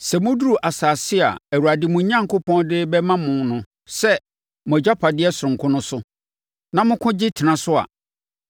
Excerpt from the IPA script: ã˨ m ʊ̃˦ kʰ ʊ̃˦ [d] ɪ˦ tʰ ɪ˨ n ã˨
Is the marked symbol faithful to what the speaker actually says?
no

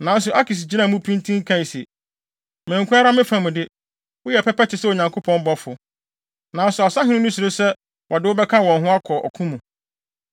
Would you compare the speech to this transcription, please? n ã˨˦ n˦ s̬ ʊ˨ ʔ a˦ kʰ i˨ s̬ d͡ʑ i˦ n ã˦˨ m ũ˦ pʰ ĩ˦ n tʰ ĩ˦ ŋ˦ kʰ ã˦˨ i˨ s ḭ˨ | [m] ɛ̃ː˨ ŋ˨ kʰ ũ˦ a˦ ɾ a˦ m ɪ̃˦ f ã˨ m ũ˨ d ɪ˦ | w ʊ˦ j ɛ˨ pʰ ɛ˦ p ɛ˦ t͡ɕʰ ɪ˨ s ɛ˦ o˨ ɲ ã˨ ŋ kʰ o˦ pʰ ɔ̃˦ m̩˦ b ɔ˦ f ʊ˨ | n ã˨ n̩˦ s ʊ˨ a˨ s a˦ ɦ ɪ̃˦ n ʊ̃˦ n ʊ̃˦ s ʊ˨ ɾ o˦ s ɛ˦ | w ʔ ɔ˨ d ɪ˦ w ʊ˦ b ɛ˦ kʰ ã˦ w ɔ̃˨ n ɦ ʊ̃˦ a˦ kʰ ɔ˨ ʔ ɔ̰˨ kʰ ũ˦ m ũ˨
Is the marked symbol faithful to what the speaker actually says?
yes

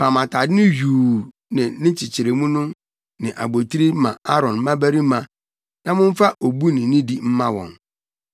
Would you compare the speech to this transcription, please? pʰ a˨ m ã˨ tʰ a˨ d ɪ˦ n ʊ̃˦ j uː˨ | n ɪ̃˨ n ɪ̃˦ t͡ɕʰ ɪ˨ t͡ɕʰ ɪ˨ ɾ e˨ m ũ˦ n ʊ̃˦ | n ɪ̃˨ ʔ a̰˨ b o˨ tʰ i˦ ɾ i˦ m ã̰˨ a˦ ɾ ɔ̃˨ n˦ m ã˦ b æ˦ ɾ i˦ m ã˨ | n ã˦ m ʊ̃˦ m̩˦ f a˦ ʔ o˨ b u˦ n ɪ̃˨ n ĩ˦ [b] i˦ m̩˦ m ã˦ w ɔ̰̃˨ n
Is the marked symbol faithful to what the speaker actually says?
no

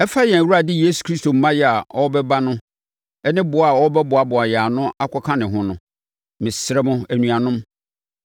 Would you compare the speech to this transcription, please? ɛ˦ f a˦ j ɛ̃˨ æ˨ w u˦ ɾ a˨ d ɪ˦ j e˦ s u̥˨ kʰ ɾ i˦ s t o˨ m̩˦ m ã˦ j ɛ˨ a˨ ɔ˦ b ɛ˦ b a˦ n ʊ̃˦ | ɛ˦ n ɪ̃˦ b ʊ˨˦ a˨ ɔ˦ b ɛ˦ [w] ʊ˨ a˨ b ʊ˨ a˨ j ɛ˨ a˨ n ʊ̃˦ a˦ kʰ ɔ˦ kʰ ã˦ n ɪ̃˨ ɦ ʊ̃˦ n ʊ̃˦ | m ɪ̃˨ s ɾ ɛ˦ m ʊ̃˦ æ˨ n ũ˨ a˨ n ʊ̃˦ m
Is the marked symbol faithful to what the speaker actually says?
no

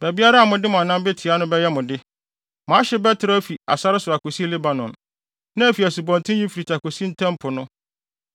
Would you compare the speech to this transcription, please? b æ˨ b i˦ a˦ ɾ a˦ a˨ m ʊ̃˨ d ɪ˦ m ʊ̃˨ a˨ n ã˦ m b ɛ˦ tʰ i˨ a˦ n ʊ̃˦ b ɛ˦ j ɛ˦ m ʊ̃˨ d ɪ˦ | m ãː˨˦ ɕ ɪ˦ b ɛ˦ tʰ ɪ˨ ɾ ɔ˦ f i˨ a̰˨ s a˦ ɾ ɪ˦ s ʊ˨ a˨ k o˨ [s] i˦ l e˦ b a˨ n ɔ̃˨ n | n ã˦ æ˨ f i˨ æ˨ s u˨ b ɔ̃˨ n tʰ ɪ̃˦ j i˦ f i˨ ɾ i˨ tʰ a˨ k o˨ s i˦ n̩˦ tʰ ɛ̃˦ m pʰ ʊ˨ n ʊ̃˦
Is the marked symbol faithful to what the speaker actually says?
yes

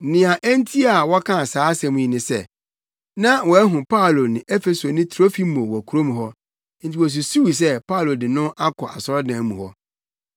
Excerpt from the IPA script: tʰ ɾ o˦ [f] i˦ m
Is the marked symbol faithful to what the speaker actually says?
yes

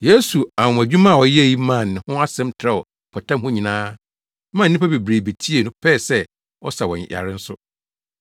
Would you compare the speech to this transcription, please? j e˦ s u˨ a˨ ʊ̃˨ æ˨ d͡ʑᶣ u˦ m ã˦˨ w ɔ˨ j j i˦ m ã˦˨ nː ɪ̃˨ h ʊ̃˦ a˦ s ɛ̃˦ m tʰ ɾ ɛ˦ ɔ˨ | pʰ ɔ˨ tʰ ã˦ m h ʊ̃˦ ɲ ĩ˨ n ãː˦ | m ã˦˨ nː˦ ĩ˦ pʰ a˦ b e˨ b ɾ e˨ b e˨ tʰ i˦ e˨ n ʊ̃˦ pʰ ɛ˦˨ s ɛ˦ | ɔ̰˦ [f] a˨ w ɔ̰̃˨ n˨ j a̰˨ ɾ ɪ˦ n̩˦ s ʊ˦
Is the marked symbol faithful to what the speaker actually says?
no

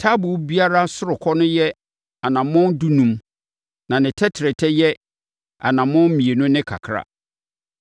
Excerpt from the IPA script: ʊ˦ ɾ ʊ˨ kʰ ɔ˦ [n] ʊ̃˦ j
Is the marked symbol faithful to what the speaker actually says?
yes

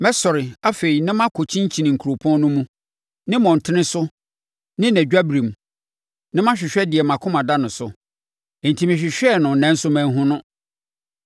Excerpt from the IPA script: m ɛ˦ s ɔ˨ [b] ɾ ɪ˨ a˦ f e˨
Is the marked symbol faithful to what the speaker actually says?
no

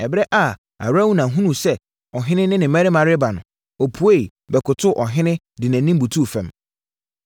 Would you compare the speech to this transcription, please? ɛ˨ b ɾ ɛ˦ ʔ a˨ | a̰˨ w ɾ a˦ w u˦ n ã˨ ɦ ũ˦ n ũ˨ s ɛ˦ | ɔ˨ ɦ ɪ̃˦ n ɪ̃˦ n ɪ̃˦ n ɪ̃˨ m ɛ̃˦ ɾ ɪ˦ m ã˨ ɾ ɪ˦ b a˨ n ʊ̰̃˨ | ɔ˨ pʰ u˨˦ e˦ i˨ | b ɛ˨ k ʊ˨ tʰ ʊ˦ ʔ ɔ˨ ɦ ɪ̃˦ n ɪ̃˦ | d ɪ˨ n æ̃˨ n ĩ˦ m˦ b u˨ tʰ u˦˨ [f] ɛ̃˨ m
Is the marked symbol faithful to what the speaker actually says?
yes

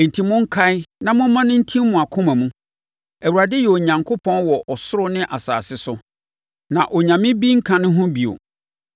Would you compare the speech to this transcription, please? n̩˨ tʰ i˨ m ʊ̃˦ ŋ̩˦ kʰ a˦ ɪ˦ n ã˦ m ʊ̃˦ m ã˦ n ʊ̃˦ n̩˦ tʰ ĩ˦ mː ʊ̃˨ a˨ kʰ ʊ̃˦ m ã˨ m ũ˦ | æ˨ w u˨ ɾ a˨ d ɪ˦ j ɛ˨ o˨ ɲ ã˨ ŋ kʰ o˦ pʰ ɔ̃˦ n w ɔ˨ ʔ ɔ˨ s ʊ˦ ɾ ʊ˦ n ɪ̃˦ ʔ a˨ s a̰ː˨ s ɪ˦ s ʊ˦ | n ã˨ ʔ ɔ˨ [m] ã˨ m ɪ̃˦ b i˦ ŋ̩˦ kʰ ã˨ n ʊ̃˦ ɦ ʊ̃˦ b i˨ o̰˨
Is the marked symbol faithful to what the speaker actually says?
no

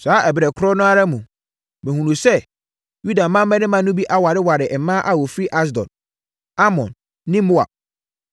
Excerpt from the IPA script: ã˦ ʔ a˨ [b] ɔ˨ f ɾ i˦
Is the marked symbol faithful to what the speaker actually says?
no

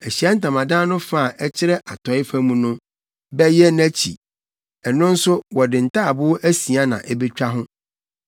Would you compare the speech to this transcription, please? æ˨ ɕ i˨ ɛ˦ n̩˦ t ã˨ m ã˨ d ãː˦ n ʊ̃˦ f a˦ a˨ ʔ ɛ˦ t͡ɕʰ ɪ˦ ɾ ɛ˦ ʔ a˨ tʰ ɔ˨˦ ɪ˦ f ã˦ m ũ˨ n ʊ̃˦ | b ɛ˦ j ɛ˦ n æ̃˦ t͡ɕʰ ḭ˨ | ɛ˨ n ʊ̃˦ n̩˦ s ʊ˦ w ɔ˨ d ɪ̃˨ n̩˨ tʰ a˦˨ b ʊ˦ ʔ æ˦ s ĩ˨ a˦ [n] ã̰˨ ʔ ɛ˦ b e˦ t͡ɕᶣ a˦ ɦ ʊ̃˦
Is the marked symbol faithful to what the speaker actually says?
yes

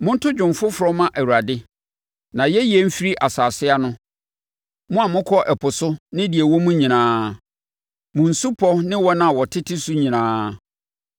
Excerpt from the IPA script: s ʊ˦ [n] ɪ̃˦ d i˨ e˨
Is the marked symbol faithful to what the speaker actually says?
yes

